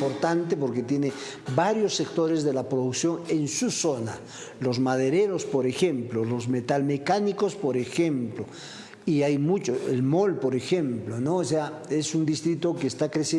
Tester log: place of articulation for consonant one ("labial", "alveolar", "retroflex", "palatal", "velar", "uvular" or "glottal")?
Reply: labial